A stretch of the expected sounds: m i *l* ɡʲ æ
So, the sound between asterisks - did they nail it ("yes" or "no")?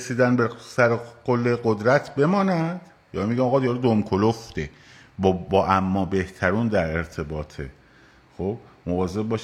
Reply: no